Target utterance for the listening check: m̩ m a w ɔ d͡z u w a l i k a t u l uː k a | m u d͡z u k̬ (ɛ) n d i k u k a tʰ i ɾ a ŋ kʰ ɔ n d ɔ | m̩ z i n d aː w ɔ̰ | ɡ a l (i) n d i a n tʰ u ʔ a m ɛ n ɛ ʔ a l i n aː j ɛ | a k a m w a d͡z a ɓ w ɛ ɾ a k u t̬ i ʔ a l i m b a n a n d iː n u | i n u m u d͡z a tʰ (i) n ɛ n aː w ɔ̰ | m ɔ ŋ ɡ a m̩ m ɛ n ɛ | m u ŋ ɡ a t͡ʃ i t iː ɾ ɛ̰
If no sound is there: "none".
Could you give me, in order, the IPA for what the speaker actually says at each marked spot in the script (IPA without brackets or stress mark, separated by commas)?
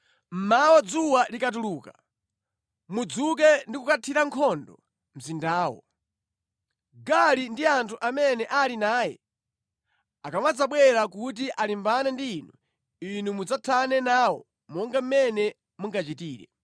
ɛ, i, a